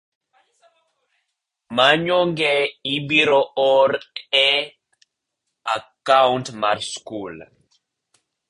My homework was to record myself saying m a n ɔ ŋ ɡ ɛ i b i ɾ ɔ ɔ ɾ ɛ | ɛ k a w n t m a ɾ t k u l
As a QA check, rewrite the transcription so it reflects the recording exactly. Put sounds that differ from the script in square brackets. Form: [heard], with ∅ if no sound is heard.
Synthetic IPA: m a [ɲ] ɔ ŋ ɡ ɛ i b i ɾ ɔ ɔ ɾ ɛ | [a] k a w n t m a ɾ [s] k u l